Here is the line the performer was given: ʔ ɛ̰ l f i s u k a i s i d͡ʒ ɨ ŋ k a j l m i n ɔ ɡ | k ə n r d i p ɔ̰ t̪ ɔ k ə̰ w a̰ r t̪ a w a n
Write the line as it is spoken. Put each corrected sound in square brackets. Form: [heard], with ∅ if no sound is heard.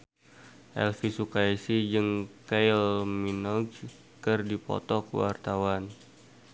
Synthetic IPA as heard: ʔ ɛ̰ l f i s u k a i s i d͡ʒ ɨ ŋ k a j l m i n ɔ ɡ | k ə [∅] r d i p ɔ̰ t̪ ɔ k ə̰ w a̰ r t̪ a w a n